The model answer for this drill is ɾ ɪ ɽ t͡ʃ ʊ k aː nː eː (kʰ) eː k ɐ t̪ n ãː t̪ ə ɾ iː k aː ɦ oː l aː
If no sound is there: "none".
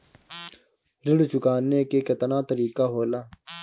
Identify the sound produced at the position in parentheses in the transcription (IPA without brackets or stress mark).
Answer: k